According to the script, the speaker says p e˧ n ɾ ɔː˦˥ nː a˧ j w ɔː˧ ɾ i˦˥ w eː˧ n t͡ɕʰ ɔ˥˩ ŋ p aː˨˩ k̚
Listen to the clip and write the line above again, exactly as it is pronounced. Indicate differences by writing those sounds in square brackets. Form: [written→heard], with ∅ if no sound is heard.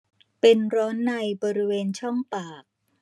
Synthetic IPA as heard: p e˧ n ɾ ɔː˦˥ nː a˧ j [w→b] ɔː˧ ɾ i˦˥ w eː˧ n t͡ɕʰ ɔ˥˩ ŋ p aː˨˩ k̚

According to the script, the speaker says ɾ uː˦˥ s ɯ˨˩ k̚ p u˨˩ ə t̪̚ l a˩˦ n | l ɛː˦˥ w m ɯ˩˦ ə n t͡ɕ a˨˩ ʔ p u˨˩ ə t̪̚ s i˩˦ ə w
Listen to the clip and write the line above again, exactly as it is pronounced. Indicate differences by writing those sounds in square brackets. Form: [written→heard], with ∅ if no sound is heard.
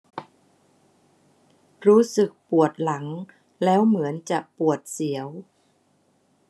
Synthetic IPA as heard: ɾ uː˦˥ s ɯ˨˩ k̚ p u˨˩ ə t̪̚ l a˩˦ [n→ŋ] | l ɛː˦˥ w m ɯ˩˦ ə n t͡ɕ a˨˩ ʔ p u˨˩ ə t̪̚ s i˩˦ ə w

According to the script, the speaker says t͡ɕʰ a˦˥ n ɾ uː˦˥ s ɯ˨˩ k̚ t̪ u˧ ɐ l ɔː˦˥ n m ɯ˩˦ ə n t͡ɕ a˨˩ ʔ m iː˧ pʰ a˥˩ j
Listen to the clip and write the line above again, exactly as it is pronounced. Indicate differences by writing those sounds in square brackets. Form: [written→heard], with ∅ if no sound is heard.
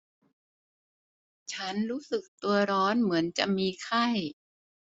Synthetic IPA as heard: t͡ɕʰ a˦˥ n ɾ uː˦˥ s ɯ˨˩ k̚ t̪ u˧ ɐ [l→ɾ] ɔː˦˥ n m ɯ˩˦ ə n t͡ɕ a˨˩ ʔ m iː˧ [pʰ→kʰ] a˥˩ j

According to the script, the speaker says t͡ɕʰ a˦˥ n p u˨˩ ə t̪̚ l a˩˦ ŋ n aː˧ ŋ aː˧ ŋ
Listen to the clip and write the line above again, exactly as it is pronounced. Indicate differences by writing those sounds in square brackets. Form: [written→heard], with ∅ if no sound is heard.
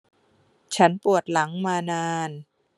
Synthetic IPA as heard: t͡ɕʰ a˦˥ n p u˨˩ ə t̪̚ l a˩˦ ŋ [n→m] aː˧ [ŋ→n] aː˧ [ŋ→n]

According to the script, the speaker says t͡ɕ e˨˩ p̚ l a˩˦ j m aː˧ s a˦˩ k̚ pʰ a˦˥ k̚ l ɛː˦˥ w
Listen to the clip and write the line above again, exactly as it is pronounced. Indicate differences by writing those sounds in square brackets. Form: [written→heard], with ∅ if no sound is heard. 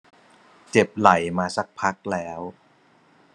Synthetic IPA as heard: t͡ɕ e˨˩ p̚ l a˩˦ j m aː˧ s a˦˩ k̚ pʰ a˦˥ k̚ l ɛː˦˥ w

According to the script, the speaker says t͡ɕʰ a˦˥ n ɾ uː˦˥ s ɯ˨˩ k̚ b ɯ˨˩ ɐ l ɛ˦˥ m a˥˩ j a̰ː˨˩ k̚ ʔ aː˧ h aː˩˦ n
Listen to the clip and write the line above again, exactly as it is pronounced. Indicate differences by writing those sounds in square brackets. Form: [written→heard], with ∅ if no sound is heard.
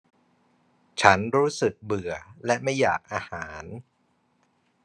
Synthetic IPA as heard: t͡ɕʰ a˦˥ n ɾ uː˦˥ s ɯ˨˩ k̚ b ɯ˨˩ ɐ l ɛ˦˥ m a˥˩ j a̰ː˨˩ k̚ ʔ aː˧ h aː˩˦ n

